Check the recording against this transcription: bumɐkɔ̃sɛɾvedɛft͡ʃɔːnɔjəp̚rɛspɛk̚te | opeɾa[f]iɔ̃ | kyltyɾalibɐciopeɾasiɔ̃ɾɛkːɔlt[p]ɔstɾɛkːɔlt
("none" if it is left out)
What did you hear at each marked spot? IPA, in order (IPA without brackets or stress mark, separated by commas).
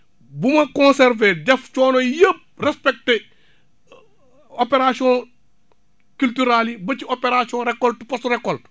s, p